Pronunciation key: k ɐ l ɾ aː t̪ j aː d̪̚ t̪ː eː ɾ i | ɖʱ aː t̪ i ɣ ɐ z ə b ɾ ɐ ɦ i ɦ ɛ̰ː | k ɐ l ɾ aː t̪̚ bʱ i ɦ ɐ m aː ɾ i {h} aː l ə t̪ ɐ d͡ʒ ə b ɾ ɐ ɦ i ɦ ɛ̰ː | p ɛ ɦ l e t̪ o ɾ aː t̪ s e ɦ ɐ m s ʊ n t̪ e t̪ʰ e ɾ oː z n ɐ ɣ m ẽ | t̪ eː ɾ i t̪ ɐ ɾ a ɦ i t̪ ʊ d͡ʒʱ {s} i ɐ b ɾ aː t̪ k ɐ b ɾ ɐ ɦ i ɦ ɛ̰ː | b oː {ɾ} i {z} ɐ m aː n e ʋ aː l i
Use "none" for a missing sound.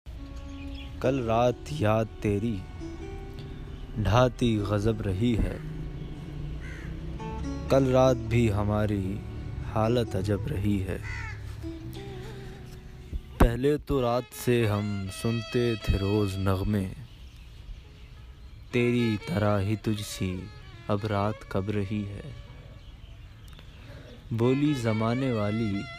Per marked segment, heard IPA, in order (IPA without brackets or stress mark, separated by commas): h, s, l, z